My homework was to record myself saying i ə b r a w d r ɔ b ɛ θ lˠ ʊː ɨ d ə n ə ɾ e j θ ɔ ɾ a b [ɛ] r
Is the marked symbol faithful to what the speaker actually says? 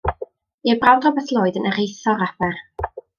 yes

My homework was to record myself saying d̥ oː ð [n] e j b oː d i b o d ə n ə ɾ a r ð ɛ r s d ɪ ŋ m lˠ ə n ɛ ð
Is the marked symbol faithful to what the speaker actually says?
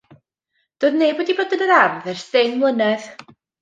yes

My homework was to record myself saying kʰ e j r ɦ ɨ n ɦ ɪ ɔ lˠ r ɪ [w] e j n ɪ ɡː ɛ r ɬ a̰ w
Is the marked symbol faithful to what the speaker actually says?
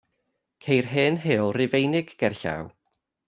no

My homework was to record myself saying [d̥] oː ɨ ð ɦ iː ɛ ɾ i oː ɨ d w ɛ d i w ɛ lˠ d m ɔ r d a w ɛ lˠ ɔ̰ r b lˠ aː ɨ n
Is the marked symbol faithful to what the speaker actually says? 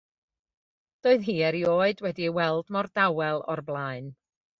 yes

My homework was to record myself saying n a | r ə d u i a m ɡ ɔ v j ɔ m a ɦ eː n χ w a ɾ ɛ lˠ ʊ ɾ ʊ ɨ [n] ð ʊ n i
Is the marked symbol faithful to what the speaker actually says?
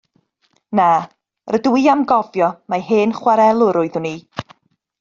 no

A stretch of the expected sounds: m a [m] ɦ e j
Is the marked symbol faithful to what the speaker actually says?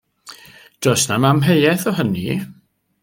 yes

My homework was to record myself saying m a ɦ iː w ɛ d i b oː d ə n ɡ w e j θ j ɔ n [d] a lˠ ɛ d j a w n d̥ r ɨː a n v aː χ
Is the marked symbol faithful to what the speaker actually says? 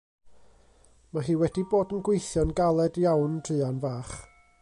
no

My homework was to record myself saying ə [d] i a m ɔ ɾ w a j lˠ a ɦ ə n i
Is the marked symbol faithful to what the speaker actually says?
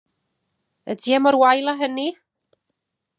yes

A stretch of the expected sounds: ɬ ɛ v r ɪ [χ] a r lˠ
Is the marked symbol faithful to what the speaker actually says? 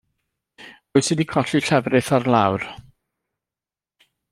no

